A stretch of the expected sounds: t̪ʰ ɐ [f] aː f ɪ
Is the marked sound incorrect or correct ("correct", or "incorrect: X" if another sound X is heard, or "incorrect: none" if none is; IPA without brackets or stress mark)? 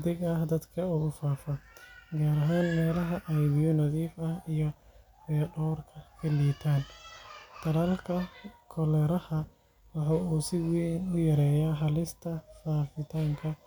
correct